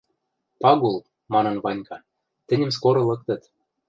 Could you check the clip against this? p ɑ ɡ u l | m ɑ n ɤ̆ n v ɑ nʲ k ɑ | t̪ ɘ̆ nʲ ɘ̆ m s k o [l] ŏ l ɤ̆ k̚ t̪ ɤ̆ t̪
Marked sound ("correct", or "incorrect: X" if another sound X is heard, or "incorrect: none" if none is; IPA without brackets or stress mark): incorrect: ɾ